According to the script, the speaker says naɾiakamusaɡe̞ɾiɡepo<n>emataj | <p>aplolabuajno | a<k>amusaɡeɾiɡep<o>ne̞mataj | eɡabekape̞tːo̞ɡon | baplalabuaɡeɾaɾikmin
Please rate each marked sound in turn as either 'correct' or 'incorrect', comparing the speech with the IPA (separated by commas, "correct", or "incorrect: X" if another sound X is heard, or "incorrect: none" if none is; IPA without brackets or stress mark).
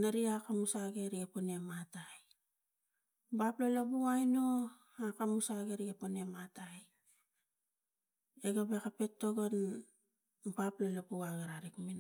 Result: correct, incorrect: b, correct, correct